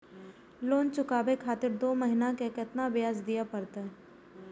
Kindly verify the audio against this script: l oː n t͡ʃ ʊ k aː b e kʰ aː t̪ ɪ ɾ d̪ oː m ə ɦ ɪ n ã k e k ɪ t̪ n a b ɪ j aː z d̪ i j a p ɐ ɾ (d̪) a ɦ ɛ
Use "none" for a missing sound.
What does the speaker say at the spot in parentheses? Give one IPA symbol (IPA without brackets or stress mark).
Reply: t̪